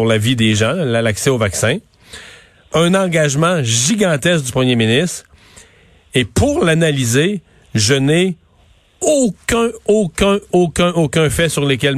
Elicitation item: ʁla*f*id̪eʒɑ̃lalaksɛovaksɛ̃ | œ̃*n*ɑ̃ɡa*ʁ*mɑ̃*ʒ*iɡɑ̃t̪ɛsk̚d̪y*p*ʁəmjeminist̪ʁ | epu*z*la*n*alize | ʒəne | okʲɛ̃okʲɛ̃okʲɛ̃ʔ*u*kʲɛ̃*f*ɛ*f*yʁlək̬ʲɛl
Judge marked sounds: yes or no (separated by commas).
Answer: no, yes, no, yes, yes, no, yes, no, yes, no